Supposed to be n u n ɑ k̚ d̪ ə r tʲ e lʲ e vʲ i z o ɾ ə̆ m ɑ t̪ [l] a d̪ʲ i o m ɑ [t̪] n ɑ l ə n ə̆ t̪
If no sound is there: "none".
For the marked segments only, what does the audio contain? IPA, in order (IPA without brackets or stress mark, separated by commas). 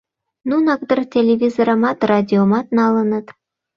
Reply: r, t̪